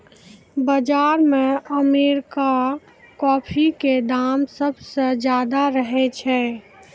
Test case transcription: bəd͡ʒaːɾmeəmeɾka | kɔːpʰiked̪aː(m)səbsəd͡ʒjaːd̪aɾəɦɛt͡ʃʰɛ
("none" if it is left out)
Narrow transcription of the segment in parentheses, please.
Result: m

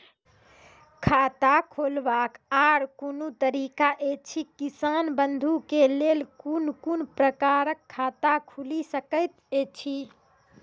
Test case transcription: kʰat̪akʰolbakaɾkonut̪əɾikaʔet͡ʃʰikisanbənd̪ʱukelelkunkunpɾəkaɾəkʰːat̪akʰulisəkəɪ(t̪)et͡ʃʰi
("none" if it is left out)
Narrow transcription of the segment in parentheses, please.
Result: t̪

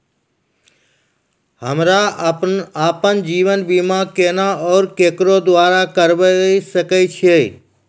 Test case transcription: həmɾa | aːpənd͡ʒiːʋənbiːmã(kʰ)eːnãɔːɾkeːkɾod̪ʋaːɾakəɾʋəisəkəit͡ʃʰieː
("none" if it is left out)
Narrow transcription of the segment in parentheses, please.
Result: k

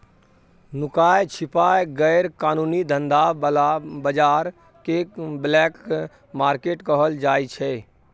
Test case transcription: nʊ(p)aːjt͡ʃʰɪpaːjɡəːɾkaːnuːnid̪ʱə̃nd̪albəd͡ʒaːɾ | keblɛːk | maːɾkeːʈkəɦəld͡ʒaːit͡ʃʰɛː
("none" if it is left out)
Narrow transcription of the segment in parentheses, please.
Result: k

